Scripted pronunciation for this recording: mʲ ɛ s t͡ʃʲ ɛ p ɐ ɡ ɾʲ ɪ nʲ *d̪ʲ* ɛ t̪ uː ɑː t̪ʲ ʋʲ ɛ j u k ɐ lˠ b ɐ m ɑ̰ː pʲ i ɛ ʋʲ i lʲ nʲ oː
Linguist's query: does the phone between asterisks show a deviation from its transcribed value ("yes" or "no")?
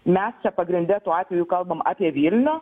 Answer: no